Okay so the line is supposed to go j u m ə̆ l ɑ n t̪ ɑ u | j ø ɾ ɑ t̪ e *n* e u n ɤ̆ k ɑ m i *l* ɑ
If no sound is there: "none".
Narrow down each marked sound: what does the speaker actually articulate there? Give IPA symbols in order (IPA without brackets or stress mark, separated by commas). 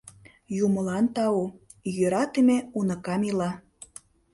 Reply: m, l